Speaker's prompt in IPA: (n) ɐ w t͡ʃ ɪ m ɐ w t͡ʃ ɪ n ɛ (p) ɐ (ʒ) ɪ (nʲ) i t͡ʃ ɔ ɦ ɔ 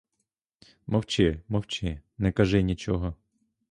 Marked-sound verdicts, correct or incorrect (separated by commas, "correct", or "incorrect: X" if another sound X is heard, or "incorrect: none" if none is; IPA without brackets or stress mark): incorrect: m, incorrect: k, correct, correct